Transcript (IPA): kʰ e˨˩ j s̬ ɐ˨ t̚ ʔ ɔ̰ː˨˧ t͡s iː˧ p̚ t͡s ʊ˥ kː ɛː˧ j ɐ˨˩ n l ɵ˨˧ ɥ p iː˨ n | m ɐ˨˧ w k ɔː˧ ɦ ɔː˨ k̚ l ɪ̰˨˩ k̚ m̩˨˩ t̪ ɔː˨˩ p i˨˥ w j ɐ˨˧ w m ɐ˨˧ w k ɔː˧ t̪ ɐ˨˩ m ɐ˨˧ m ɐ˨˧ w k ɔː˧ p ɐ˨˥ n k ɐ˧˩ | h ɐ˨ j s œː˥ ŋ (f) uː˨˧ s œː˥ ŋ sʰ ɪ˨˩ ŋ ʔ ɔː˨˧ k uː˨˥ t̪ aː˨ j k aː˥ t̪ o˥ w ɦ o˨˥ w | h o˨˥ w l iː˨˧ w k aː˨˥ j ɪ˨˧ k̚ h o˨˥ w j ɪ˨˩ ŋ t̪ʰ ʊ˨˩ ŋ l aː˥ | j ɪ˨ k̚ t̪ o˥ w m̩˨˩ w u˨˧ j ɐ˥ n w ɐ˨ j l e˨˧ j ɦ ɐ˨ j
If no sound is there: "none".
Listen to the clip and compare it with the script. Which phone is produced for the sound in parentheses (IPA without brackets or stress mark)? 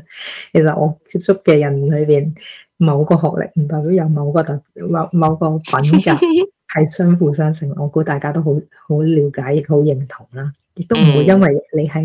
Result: f